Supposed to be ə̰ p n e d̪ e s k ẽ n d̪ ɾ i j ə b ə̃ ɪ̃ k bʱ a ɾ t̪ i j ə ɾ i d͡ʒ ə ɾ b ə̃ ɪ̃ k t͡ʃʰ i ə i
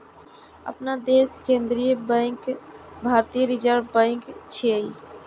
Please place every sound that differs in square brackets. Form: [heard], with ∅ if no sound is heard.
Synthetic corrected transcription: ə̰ p n [a] d̪ e s k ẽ n d̪ ɾ i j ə b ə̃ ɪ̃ k bʱ a ɾ t̪ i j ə ɾ i d͡ʒ ə ɾ b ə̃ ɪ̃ k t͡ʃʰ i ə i